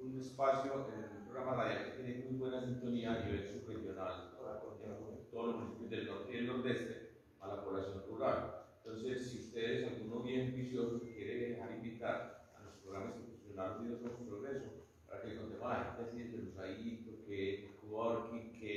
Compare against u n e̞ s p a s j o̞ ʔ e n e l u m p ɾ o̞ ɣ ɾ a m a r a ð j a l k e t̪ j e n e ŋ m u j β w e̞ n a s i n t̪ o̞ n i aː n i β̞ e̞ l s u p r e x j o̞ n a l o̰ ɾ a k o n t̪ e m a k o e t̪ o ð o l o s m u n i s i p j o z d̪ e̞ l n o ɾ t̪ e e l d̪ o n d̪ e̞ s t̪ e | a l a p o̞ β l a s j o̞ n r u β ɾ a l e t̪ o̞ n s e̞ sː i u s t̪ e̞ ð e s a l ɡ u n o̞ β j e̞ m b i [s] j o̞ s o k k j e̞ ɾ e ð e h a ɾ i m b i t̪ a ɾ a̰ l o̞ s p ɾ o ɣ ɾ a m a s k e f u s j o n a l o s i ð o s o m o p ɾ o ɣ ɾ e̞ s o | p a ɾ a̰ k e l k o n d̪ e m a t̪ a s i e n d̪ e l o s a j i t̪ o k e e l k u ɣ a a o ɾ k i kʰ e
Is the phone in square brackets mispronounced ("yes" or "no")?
no